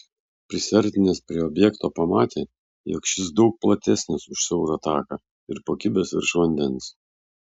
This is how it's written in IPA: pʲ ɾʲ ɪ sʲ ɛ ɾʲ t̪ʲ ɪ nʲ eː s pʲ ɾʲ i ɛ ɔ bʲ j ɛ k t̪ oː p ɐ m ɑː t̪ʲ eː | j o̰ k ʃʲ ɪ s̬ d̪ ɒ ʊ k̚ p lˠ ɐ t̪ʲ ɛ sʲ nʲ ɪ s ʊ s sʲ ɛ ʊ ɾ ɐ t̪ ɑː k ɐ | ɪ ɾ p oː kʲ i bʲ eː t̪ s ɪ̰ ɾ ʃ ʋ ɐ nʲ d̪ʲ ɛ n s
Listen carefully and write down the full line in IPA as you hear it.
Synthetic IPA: pʲ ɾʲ ɪ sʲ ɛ ɾʲ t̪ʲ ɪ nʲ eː s pʲ ɾʲ i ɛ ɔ bʲ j ɛ k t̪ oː p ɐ m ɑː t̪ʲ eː | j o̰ k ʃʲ ɪ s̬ d̪ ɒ ʊ k̚ p lˠ ɐ t̪ʲ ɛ sʲ nʲ ɪ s ʊ ʃ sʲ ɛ ʊ ɾ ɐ t̪ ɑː k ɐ | ɪ ɾ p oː kʲ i bʲ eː s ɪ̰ ɾ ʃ ʋ ɐ nʲ d̪ʲ ɛ n s